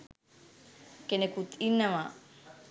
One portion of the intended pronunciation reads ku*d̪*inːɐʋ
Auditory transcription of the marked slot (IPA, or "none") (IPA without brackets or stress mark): t̪